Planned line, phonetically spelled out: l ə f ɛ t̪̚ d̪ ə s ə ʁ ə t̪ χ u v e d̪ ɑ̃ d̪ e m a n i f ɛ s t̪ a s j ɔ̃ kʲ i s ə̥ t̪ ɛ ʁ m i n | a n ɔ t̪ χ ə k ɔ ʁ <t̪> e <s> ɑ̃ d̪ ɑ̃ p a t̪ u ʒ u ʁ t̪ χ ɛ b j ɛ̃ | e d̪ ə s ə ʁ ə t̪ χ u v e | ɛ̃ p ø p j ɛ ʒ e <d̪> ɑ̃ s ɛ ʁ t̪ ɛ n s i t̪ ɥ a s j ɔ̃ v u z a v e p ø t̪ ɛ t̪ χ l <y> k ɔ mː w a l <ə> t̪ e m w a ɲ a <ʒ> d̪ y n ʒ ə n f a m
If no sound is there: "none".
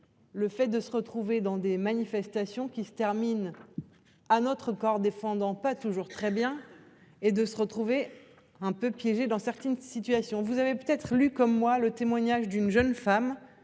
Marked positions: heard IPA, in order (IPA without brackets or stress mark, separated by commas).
d̪, f, d̪, y, ə, ʒ